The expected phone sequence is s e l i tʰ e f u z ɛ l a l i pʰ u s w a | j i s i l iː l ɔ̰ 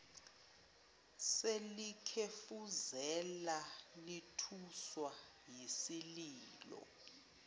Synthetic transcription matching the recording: s e l i kʰ e f u z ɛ l a l i tʰ u s w a | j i s i l iː l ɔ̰